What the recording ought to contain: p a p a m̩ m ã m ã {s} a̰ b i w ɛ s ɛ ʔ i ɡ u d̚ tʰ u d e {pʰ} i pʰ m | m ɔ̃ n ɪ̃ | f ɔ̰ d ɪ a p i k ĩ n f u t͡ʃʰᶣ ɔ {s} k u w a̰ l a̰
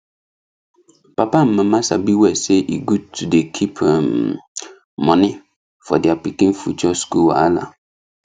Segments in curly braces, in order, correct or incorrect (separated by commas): correct, incorrect, correct